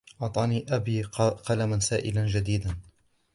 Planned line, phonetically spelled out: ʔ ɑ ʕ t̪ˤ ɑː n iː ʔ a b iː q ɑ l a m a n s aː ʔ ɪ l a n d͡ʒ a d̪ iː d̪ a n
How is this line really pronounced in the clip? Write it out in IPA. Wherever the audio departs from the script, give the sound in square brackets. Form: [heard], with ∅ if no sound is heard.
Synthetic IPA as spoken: ʔ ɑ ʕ t̪ˤ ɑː n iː ʔ a b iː q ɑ l a m a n s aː ʔ ɪ l a n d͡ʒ a d̪ iː d̪ a n

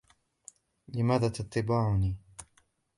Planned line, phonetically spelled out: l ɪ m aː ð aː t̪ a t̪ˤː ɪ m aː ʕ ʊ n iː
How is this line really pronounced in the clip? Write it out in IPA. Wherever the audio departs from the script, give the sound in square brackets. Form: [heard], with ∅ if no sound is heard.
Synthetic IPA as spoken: l ɪ m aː ð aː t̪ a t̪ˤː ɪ [b] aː ʕ ʊ n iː

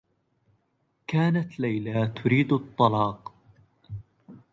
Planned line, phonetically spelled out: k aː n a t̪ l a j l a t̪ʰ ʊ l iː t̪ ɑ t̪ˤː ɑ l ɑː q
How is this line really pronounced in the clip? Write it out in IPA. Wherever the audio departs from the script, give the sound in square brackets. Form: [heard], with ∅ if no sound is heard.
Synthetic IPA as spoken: k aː n a t̪ l a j l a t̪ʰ ʊ [ɾ] iː [d̪] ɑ t̪ˤː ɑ l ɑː q

